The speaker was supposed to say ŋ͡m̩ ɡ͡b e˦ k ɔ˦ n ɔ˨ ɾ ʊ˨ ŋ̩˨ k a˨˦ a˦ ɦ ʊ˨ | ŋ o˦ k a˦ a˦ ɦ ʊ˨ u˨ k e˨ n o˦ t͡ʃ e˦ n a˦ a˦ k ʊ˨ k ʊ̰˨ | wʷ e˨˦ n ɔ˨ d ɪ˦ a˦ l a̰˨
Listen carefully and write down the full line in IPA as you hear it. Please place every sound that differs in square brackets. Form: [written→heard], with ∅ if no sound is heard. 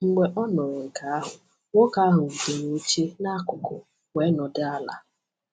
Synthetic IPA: ŋ͡m̩ ɡ͡b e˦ [k→ʔ] ɔ˦ n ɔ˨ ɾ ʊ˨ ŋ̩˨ k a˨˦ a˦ ɦ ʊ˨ | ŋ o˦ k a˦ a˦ ɦ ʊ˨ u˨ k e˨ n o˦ t͡ʃ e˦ n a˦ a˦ k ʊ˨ k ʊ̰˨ | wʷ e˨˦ n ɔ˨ d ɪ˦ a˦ l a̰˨